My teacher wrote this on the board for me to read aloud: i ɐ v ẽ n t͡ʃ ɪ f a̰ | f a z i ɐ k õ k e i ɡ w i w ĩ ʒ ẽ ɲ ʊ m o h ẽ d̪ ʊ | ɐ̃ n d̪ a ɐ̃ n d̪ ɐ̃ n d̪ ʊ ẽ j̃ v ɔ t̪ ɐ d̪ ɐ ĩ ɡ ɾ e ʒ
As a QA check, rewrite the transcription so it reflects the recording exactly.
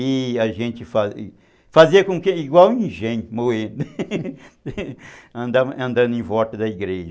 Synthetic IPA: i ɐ ʒ ẽ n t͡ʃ ɪ f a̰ | f a z i ɐ k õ k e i ɡ w a w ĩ ʒ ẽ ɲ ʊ m o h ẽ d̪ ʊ | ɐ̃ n d̪ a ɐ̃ n d̪ ɐ̃ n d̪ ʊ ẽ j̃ v ɔ t̪ ɐ d̪ ɐ i ɡ ɾ e ʒ